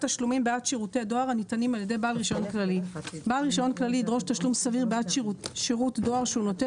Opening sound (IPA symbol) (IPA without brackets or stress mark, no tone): t